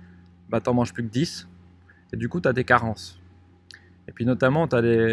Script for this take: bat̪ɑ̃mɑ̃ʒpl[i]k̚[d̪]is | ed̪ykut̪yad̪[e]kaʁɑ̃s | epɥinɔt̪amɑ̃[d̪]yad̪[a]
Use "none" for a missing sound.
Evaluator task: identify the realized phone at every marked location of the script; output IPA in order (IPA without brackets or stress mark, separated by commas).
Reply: y, d̪, e, t̪, e